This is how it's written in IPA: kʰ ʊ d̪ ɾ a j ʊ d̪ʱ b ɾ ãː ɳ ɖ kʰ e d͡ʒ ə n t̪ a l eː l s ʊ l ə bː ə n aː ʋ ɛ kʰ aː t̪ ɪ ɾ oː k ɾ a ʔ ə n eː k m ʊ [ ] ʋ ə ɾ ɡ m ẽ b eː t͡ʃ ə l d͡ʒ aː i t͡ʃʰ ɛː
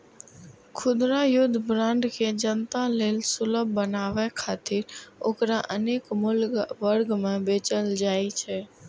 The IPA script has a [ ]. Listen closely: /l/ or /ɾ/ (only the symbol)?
l